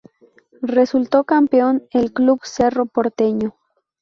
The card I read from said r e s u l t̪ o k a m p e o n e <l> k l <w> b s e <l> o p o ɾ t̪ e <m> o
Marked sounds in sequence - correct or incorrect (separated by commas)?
correct, incorrect, incorrect, incorrect